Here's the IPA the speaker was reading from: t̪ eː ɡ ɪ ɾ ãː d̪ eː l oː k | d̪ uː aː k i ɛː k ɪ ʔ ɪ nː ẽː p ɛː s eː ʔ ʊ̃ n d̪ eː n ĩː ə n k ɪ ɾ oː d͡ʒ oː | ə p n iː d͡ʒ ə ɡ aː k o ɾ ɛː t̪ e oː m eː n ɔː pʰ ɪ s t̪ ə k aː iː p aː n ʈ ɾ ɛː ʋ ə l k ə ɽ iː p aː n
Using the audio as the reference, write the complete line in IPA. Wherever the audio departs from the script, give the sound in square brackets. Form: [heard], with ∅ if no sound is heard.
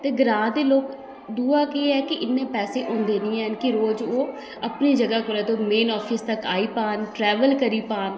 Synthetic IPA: t̪ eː ɡ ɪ ɾ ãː d̪ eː l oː k | d̪ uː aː k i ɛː k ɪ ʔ ɪ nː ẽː p ɛː s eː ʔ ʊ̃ n d̪ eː n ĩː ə n k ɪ ɾ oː d͡ʒ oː | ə p n iː d͡ʒ ə ɡ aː k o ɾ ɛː t̪ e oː m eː n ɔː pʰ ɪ s t̪ ə k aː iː p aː n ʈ ɾ ɛː ʋ ə l k ə [ɾ] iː p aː n

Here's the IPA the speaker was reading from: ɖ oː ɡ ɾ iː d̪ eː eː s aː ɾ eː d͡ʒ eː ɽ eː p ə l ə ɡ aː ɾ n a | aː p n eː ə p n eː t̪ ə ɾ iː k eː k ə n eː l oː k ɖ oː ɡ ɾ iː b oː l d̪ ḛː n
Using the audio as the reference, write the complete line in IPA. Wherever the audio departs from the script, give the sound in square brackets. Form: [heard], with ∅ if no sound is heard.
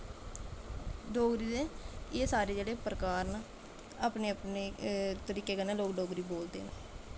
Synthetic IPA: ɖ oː ɡ ɾ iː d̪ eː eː s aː ɾ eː d͡ʒ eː ɽ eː p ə [ɾ] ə [k] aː ɾ n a | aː p n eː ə p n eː t̪ ə ɾ iː k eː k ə n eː l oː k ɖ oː ɡ ɾ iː b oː l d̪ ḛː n

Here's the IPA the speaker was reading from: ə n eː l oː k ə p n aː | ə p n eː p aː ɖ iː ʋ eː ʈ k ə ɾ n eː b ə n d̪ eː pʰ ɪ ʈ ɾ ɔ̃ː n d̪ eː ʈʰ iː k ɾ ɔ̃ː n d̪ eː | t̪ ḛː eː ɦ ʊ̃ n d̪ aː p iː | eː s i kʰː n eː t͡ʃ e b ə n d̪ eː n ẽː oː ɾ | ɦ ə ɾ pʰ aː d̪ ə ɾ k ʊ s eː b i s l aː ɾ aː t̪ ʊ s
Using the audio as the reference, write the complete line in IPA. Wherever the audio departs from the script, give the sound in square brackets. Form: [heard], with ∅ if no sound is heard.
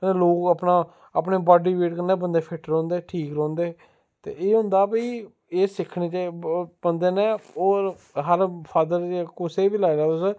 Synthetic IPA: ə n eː l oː k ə p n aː | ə p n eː [b] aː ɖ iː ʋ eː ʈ k ə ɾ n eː b ə n d̪ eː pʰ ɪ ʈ ɾ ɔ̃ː n d̪ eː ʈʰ iː k ɾ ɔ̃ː n d̪ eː | t̪ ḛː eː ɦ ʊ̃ n d̪ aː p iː | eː s [ɪ] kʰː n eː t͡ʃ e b ə n d̪ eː n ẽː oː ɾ | ɦ ə ɾ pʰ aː d̪ ə ɾ k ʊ s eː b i [∅] l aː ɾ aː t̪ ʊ s

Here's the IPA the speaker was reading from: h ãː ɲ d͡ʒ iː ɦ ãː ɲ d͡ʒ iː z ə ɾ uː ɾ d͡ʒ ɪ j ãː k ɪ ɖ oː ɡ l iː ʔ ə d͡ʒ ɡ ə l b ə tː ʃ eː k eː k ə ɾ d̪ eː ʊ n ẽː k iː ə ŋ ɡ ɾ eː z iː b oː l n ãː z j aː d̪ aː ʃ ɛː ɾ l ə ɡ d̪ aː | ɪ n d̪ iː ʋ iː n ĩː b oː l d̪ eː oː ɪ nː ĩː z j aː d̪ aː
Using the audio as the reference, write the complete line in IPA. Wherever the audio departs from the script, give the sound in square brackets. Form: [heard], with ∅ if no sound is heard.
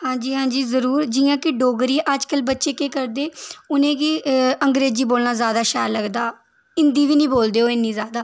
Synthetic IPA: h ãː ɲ d͡ʒ iː ɦ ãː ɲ d͡ʒ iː z ə ɾ uː ɾ d͡ʒ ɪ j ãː k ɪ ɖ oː ɡ [ɾ] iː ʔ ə d͡ʒ [k] ə l b ə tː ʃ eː k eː k ə ɾ d̪ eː ʊ n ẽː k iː ə ŋ ɡ ɾ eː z iː b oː l n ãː z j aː d̪ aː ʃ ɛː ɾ l ə ɡ d̪ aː | ɪ n d̪ iː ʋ iː n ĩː b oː l d̪ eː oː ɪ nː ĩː z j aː d̪ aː

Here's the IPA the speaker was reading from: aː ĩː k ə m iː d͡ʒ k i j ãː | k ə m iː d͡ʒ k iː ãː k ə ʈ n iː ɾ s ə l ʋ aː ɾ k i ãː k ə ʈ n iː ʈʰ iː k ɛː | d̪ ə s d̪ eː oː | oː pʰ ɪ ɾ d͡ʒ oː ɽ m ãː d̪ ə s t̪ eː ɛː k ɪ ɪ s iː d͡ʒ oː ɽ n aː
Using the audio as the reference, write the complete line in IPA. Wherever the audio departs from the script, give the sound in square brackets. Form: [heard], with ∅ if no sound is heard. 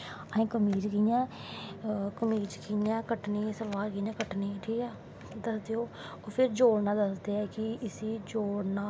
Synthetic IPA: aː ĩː k ə m iː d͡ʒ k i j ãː | k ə m iː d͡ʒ k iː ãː k ə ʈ n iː [∅] s ə l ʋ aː ɾ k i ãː k ə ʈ n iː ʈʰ iː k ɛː | d̪ ə s d̪ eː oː | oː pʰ ɪ ɾ d͡ʒ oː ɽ [n] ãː d̪ ə s [d̪] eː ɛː k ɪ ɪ s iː d͡ʒ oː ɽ n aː

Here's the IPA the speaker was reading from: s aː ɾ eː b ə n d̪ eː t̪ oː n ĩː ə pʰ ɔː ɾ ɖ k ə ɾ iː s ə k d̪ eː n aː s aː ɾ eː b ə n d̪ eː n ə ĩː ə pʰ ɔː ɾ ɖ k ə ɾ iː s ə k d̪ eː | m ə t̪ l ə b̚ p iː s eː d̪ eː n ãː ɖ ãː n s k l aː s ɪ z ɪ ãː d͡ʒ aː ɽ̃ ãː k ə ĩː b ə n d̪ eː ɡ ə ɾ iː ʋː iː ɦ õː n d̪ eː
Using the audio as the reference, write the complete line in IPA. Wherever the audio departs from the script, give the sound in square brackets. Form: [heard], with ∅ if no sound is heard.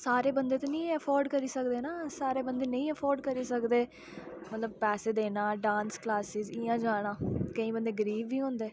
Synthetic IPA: s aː ɾ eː b ə n d̪ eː t̪ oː n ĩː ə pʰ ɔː ɾ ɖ k ə ɾ iː s ə k d̪ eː n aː s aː ɾ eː b ə n d̪ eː n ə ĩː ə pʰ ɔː ɾ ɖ k ə ɾ iː s ə k d̪ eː | m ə t̪ l ə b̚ p [ɛː] s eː d̪ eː n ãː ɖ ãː n s k l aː s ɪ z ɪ ãː d͡ʒ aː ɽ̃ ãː k ə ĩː b ə n d̪ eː ɡ ə ɾ iː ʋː iː ɦ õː n d̪ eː

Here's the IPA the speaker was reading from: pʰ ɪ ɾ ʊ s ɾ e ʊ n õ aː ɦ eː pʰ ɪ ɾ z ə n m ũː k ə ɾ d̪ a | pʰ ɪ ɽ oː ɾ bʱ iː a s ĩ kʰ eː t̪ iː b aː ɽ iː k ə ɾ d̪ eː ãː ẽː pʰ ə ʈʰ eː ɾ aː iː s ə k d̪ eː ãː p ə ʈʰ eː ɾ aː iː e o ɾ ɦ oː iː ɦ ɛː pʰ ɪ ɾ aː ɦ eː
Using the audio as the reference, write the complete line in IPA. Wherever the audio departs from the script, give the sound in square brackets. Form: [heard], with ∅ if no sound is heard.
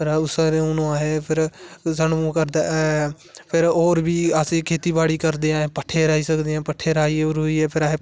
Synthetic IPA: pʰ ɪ ɾ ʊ s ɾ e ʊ n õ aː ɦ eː pʰ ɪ ɾ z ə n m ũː k ə ɾ d̪ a | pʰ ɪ [ɾ] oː ɾ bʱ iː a s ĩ kʰ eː t̪ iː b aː ɽ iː k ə ɾ d̪ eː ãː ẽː [p] ə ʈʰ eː ɾ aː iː s ə k d̪ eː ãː p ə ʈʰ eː ɾ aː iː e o ɾ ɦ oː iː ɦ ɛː pʰ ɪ ɾ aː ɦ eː

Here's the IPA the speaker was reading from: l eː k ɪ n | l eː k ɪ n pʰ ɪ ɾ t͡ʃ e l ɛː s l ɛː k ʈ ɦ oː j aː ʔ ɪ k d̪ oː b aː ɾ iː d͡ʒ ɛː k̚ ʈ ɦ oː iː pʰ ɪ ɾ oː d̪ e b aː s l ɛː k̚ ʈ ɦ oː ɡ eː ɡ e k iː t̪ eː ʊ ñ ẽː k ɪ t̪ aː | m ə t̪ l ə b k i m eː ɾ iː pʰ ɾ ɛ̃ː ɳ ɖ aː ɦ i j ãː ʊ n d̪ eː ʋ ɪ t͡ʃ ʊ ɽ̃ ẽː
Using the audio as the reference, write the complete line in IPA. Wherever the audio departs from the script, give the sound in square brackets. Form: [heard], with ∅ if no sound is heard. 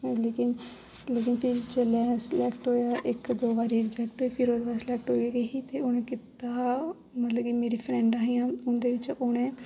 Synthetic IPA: l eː k ɪ n | l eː k ɪ n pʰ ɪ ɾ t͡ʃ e l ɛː s l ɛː k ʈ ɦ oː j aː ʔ ɪ k d̪ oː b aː ɾ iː d͡ʒ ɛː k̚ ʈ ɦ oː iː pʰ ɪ ɾ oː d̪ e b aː s l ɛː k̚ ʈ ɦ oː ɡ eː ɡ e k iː t̪ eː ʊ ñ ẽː k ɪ t̪ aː | m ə t̪ l ə b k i m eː ɾ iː pʰ ɾ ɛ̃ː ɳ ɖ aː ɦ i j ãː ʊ n d̪ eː ʋ ɪ t͡ʃ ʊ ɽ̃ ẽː

